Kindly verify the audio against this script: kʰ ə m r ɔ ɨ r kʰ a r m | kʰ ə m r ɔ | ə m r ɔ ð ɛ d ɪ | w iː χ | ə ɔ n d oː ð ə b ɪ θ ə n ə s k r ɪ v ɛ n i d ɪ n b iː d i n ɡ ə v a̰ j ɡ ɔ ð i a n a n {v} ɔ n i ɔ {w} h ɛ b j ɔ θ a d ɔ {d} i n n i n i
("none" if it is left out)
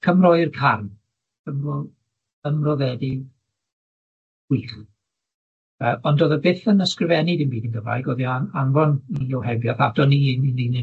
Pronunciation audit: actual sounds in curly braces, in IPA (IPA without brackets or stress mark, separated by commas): v, w, n